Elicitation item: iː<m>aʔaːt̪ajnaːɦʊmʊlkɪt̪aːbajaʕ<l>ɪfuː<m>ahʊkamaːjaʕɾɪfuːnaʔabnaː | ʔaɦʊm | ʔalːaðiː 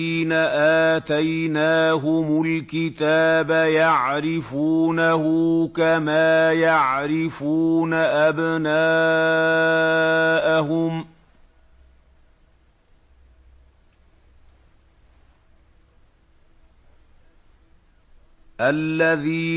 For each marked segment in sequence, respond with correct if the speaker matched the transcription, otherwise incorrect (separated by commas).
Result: incorrect, incorrect, incorrect